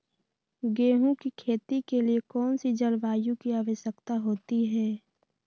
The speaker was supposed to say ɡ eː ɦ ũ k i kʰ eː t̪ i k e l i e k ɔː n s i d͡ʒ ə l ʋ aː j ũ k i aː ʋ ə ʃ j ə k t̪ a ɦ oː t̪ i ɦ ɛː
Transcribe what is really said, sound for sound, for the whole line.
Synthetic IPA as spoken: ɡ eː ɦ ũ k i kʰ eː t̪ i k e l i e k ɔː n s i d͡ʒ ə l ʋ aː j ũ k i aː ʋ ə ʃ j ə k t̪ a ɦ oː t̪ i ɦ ɛː